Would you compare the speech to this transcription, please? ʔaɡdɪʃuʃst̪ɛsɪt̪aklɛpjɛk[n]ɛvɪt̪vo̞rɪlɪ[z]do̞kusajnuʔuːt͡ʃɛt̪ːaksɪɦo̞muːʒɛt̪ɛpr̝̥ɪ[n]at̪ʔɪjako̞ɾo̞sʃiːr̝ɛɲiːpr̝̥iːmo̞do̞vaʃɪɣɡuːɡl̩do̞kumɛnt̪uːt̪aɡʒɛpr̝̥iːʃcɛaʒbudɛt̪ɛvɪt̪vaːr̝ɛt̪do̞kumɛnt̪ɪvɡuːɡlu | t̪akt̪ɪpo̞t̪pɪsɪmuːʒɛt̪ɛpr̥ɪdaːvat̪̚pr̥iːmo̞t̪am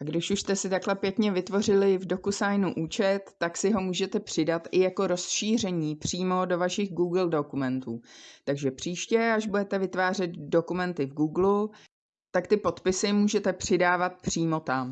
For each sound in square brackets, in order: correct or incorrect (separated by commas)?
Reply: incorrect, incorrect, incorrect